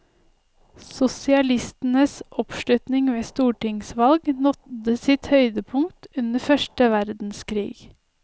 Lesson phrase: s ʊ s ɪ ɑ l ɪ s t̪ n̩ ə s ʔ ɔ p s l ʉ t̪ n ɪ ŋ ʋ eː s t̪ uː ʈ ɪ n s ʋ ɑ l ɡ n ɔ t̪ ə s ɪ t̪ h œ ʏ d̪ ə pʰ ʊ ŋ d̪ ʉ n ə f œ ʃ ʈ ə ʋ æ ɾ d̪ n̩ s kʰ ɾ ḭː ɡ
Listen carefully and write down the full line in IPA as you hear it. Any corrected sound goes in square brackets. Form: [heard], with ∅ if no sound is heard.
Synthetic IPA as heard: s ʊ s ɪ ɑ l ɪ s t̪ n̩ ə s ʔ ɔ p [ʃ] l ʉ t̪ n ɪ ŋ ʋ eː s t̪ uː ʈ ɪ [ŋ] s ʋ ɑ l ɡ n ɔ t̪ ə s ɪ t̪ h œ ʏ d̪ ə pʰ ʊ ŋ [t̪] ʉ n ə f œ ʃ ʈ ə ʋ æ ɾ d̪ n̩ s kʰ ɾ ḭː ɡ